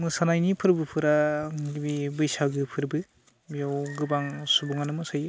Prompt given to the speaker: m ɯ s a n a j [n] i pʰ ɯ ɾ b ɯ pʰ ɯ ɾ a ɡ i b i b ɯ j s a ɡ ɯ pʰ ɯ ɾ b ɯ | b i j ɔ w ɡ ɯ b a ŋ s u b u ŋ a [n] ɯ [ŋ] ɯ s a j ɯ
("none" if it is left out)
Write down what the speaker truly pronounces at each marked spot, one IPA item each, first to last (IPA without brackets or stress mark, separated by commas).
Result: n, n, m